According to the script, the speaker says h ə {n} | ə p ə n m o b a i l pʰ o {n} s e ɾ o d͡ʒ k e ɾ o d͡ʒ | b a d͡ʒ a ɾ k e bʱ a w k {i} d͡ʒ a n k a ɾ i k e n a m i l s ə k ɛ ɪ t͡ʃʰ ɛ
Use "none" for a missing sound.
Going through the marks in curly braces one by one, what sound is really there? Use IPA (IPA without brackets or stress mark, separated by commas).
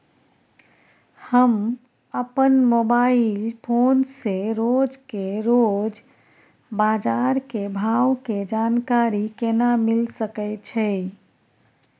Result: m, n, e